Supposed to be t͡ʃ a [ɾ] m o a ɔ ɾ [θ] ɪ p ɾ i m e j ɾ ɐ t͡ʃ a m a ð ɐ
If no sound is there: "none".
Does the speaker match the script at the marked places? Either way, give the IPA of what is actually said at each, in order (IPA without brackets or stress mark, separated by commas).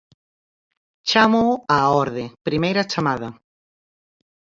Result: none, ð